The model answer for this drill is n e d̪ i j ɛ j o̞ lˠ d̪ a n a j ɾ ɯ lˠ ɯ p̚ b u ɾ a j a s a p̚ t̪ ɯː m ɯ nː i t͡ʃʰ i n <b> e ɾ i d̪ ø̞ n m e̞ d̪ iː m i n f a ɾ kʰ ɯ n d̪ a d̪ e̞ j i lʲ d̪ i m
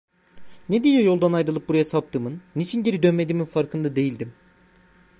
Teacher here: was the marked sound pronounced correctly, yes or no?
no